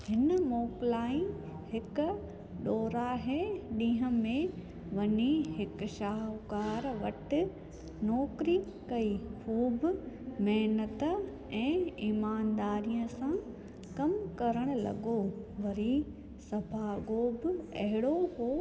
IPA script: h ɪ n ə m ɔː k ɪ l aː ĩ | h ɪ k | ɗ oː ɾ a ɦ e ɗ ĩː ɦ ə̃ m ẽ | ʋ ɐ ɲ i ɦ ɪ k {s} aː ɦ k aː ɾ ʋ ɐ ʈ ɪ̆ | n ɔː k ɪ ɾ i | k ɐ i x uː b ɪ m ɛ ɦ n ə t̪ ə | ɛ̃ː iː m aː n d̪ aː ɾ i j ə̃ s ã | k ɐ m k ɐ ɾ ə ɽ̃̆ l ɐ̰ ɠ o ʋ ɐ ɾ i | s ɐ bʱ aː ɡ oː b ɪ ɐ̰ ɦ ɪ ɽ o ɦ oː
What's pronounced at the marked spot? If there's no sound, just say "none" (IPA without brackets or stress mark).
ʃ